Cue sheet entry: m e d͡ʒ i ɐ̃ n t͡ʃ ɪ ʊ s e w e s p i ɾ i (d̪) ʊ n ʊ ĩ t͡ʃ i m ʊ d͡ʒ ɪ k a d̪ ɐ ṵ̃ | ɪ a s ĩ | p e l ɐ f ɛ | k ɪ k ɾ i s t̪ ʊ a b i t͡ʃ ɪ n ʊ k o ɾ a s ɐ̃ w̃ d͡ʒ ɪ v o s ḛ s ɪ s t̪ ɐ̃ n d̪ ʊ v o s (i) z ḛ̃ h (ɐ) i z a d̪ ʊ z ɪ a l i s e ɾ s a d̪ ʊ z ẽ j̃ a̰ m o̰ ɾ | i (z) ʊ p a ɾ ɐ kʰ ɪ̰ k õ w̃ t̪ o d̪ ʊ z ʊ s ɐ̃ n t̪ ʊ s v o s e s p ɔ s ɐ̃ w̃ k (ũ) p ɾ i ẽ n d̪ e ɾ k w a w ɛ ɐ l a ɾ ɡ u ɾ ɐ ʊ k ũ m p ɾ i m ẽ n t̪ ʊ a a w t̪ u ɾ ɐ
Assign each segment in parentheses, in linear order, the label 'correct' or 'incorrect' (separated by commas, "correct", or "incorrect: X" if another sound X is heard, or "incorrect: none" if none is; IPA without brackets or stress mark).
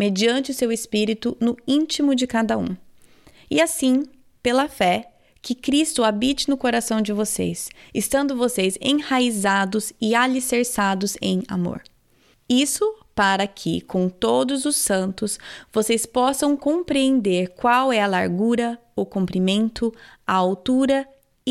incorrect: t̪, incorrect: e, incorrect: a, incorrect: s, incorrect: õ